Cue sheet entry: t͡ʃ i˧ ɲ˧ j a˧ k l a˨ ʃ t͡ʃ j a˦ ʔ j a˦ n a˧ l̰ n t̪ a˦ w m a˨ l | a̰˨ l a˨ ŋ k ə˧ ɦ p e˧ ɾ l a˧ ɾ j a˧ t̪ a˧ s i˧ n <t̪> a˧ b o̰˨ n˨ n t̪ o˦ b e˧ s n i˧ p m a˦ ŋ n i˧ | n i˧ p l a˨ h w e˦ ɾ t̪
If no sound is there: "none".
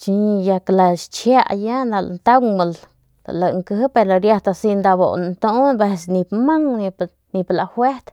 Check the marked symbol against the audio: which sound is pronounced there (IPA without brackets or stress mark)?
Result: d̪